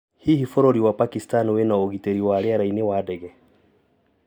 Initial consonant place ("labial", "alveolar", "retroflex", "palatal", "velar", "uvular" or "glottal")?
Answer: glottal